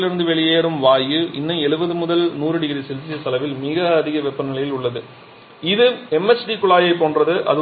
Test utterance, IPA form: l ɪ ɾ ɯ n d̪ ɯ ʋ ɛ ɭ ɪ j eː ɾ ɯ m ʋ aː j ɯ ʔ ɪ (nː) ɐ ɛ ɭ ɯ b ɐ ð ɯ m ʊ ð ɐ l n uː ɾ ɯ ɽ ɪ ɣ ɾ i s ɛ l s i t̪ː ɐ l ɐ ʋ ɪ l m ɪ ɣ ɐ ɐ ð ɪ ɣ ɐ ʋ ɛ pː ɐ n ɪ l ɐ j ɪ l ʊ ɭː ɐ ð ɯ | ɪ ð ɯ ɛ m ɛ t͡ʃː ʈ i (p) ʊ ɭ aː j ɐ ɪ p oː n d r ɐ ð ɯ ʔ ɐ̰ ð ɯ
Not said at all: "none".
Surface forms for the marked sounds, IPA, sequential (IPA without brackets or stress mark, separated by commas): nː, k